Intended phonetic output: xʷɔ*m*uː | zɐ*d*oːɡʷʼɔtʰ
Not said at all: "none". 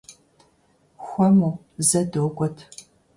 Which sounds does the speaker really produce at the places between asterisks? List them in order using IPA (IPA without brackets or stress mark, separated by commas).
m, d